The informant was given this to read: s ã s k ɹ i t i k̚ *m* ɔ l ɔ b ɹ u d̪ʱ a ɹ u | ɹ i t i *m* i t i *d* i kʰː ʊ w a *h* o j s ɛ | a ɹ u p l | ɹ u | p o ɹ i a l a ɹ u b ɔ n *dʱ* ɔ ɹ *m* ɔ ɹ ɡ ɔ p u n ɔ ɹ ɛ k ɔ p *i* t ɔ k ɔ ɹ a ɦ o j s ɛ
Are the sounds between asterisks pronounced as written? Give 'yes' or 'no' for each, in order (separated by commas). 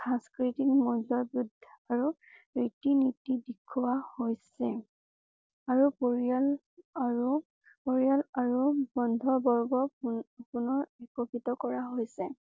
yes, no, yes, yes, yes, no, yes